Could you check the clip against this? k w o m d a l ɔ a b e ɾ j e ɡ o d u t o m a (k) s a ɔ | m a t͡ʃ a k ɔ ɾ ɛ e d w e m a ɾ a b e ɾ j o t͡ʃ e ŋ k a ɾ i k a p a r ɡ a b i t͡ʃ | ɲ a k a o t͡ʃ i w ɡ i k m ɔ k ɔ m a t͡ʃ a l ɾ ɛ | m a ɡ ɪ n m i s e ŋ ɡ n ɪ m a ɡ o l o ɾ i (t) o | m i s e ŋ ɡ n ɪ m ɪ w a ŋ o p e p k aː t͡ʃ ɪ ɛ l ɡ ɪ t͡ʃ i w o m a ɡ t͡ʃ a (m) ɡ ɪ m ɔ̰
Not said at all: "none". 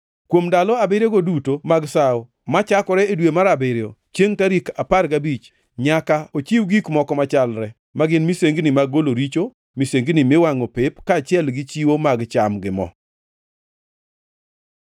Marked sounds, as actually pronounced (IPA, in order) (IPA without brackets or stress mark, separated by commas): ɡ, t͡ʃ, m